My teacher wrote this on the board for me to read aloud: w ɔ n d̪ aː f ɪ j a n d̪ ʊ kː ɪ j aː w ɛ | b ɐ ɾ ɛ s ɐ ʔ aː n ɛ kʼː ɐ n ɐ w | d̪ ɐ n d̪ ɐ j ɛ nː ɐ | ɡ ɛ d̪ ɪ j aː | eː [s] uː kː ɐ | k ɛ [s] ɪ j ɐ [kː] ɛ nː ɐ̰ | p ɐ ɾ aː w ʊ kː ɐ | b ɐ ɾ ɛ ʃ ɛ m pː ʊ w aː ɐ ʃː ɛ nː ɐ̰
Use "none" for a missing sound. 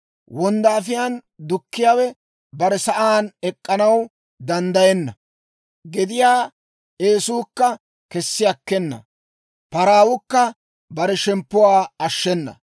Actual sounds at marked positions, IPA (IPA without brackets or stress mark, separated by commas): s, sː, kː